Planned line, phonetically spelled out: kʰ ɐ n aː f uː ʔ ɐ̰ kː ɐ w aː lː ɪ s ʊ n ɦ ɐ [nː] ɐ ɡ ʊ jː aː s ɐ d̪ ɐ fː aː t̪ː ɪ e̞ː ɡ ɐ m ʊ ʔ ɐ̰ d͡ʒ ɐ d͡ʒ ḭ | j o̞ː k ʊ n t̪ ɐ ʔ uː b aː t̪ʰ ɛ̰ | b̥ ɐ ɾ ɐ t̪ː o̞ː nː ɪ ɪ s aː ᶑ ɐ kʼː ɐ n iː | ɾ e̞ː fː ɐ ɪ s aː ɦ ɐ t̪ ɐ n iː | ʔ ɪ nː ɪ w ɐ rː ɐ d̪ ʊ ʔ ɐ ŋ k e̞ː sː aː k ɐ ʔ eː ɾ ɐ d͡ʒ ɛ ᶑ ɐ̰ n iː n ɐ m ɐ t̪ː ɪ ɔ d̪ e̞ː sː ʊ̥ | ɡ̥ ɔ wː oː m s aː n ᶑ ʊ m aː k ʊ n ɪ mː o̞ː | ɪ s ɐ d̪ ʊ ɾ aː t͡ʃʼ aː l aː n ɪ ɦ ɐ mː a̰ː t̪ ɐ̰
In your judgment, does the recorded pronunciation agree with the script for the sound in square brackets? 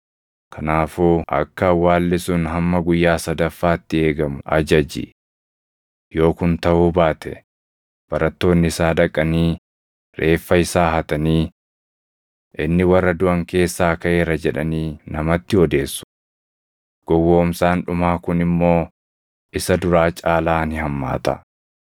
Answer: no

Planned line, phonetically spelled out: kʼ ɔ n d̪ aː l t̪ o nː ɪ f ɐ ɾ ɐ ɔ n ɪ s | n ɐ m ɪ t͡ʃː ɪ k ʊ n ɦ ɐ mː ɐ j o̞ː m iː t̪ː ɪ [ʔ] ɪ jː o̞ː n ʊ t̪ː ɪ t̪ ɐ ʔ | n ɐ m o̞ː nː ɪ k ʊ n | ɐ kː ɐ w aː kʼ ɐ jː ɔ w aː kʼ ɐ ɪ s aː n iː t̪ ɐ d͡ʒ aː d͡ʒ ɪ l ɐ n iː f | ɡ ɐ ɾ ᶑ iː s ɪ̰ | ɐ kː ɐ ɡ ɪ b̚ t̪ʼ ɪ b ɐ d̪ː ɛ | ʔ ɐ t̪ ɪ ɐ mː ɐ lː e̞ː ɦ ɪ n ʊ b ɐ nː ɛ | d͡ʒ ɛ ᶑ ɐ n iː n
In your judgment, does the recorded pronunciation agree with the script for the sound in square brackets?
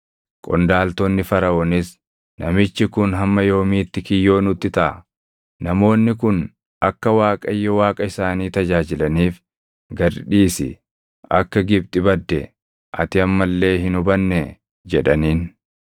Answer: no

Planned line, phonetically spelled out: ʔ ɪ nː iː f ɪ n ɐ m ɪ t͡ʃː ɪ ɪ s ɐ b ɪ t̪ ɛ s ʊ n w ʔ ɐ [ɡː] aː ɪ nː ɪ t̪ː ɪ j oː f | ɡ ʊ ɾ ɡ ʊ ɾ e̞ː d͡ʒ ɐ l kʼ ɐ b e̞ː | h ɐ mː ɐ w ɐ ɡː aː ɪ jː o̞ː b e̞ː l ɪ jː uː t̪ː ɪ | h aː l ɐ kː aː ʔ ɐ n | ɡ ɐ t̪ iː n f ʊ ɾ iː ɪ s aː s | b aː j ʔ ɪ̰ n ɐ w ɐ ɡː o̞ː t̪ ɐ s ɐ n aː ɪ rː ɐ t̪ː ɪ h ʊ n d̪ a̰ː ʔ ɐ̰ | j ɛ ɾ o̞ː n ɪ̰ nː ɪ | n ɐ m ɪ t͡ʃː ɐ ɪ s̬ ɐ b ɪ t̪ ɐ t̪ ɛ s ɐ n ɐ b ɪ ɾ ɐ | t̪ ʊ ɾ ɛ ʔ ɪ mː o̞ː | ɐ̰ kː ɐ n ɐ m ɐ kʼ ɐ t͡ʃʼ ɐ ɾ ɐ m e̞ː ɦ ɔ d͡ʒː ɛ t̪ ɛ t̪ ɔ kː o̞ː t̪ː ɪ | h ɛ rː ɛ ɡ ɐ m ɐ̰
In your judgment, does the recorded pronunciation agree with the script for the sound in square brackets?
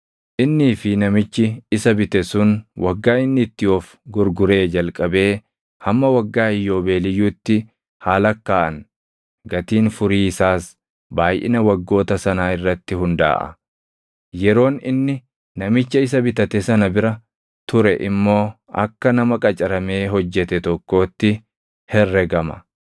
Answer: yes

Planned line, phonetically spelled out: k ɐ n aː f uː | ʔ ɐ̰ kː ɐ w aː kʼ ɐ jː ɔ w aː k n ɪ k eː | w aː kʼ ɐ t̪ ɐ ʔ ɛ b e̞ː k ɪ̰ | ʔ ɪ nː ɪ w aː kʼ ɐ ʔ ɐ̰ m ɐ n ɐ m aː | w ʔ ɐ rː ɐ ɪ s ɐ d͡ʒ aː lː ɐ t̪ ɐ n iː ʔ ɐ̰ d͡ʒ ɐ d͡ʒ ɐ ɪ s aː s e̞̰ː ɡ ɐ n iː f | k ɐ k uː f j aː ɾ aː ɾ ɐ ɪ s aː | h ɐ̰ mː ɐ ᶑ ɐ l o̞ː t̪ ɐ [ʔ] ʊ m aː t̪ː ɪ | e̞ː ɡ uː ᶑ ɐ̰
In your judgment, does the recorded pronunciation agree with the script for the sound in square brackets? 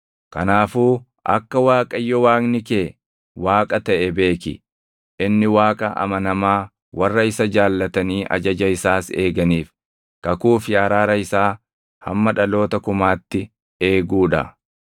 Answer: no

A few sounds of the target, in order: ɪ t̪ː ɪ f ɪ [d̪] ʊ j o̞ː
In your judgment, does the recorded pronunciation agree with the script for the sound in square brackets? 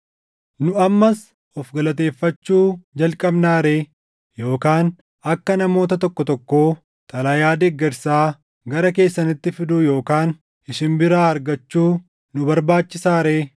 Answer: yes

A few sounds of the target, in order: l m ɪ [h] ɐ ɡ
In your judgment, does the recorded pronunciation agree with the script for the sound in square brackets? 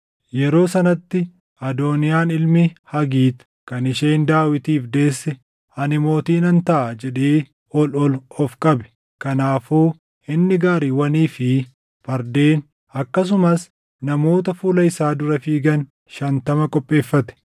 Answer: yes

